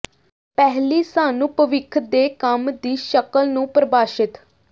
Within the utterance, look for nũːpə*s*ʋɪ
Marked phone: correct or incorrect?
incorrect